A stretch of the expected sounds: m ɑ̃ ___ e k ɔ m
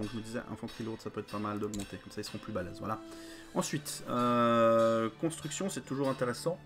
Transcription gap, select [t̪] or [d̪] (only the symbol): t̪